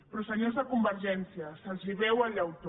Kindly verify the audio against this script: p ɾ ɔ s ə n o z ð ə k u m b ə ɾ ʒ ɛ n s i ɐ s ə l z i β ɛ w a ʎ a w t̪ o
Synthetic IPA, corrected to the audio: p ɾ ɔ s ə ɲ o z ð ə k u m b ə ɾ ʒ ɛ n s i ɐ s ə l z i β ɛ w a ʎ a w t̪ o